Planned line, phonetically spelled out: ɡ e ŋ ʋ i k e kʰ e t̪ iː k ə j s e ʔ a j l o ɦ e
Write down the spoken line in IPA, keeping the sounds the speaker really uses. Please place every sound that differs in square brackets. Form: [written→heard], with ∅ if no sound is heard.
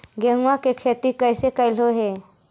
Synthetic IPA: ɡ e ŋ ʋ [i→a] k e kʰ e t̪ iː k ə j s e [ʔ→k] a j l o ɦ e